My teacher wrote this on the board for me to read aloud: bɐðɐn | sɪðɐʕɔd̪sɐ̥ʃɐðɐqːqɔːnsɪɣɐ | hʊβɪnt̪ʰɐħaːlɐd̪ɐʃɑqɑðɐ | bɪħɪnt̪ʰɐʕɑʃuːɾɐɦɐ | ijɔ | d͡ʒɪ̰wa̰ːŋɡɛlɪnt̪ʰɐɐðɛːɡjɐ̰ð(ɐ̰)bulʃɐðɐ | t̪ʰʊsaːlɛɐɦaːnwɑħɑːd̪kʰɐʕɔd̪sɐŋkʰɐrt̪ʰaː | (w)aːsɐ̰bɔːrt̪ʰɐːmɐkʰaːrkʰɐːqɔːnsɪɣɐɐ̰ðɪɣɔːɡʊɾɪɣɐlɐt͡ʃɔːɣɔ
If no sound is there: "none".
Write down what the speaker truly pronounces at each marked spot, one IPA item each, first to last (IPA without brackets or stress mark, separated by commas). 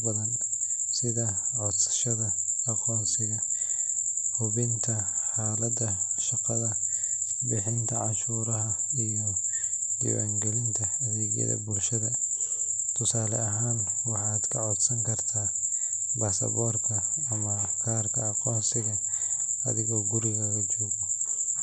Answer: ɐ̰, b